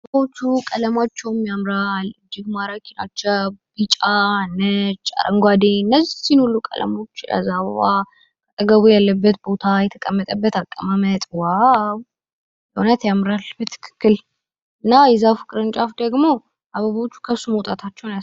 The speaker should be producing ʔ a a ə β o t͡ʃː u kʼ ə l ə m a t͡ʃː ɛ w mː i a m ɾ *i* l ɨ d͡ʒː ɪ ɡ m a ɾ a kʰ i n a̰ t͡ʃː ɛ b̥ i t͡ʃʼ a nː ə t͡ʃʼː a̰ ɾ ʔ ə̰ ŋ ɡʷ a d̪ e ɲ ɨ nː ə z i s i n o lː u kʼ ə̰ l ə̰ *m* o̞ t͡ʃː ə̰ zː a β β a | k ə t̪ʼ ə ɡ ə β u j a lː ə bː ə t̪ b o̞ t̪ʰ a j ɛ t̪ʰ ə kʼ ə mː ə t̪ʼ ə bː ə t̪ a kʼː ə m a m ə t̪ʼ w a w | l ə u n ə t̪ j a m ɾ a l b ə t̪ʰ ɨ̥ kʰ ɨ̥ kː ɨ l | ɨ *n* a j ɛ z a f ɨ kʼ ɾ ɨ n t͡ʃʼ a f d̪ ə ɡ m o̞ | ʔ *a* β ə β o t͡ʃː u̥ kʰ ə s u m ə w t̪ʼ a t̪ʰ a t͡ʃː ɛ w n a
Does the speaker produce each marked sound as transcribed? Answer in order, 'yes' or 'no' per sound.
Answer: no, yes, no, yes

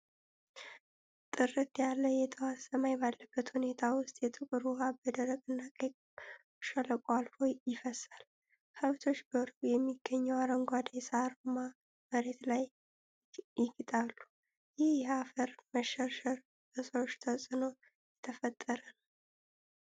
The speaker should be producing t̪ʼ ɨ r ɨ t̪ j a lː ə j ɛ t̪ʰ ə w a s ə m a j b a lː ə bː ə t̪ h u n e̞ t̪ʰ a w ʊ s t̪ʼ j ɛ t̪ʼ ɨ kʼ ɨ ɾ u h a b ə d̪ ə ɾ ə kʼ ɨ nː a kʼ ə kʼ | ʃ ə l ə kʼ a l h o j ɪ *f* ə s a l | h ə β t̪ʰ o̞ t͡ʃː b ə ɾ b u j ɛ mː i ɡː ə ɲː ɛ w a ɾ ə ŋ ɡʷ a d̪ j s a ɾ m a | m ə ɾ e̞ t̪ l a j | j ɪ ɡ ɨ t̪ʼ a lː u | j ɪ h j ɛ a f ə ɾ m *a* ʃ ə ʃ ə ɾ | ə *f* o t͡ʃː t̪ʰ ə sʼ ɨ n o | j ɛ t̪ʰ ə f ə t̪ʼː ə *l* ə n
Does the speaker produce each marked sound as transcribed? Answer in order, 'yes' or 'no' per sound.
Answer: yes, no, no, no

